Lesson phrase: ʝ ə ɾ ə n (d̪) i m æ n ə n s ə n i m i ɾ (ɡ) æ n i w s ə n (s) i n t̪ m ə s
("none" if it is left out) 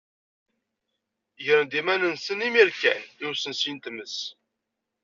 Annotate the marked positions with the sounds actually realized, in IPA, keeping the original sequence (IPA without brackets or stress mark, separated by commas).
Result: d̪, k, s